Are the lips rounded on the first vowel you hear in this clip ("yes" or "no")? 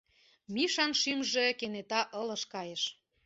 no